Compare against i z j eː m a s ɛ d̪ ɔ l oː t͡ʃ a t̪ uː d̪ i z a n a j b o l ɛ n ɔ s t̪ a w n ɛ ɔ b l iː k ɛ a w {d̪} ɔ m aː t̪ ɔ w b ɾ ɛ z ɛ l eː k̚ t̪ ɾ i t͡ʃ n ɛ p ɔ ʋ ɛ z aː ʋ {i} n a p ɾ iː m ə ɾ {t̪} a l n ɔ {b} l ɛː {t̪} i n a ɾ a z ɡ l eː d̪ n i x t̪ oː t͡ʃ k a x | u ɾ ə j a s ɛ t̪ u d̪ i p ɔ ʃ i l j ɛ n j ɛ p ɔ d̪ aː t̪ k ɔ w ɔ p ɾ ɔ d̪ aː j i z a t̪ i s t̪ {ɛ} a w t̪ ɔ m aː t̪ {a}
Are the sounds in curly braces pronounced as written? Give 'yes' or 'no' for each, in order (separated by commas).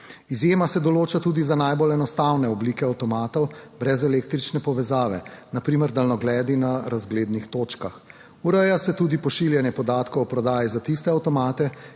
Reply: no, no, no, no, no, yes, no